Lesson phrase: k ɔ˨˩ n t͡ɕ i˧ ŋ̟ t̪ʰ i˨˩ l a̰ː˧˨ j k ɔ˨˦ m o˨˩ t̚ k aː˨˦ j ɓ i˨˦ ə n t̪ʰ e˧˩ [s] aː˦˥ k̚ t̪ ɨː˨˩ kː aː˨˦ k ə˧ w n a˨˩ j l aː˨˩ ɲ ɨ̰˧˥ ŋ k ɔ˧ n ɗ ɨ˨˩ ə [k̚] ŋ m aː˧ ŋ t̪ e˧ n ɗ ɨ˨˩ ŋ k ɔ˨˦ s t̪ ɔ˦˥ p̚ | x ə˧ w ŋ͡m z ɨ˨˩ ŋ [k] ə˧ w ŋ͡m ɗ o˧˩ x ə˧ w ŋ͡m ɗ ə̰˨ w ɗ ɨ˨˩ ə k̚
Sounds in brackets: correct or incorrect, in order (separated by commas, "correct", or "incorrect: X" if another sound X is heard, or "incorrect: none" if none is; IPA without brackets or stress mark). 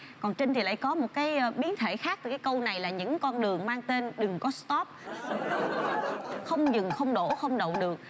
incorrect: x, incorrect: none, incorrect: x